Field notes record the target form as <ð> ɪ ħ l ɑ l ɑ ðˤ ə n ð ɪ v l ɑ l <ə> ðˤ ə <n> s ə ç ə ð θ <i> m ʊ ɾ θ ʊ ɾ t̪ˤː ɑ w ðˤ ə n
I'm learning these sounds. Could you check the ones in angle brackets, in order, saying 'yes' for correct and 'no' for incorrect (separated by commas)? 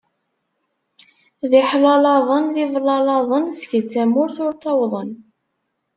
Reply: yes, no, yes, no